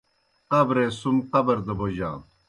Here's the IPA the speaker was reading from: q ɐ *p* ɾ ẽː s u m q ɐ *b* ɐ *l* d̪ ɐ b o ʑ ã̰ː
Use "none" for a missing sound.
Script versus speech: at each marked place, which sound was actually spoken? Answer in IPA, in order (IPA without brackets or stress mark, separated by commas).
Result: b, b, ɾ